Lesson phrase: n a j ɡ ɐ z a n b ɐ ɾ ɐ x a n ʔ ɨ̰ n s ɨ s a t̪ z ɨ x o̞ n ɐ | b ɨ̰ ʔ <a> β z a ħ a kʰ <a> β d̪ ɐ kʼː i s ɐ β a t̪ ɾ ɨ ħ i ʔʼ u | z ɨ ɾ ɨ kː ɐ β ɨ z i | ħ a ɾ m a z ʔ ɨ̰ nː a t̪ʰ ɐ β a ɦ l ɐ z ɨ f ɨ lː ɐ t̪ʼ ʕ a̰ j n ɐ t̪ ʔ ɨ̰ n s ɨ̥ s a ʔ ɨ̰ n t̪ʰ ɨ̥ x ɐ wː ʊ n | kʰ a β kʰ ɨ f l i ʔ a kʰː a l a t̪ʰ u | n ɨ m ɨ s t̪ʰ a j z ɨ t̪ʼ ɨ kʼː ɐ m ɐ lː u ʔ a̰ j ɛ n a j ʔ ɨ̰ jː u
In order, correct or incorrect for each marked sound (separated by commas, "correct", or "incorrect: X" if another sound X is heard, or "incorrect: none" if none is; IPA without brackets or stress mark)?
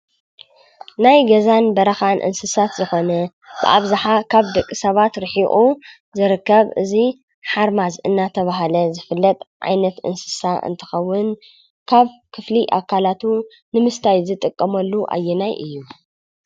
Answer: correct, correct